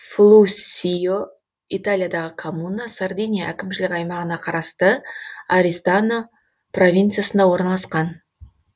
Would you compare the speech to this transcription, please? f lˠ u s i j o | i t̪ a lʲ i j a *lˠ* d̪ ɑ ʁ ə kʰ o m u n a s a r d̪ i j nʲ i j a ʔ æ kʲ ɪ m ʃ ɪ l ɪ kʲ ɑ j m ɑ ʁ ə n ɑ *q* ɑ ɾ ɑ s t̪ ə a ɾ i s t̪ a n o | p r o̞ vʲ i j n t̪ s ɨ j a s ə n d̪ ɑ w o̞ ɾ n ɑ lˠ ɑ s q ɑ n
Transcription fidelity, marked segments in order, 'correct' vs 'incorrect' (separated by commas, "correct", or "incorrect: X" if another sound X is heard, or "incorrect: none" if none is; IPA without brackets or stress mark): incorrect: none, incorrect: qʰ